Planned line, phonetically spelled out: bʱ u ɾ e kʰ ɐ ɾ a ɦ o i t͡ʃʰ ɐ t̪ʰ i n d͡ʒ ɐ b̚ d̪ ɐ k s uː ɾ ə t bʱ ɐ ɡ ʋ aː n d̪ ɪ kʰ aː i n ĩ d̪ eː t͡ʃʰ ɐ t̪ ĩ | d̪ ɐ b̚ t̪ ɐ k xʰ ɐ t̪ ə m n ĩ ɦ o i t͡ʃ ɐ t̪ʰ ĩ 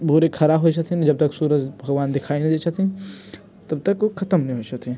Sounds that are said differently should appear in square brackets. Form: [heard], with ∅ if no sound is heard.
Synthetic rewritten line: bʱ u ɾ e kʰ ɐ ɾ a ɦ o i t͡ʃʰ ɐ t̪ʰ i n d͡ʒ ɐ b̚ [t̪] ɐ k s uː ɾ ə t bʱ ɐ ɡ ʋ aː n d̪ ɪ kʰ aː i n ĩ d̪ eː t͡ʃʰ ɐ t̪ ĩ | [t̪] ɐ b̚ t̪ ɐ k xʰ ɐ t̪ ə m n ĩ ɦ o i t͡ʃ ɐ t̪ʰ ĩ

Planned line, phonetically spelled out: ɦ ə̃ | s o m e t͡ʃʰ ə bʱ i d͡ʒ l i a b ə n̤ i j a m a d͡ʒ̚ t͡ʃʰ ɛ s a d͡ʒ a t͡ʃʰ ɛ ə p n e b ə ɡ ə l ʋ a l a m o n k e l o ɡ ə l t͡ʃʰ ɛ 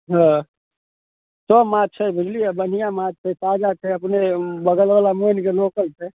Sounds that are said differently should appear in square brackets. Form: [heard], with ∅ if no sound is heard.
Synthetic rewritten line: ɦ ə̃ | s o m [a] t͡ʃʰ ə bʱ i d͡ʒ l i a b ə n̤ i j a m a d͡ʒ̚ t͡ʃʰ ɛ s a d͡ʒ a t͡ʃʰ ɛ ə p n e b ə ɡ ə l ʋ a l a m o n k e l o [k] ə l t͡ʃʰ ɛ

